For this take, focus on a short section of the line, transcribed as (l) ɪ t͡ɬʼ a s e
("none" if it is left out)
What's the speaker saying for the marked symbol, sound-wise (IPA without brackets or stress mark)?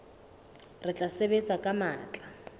r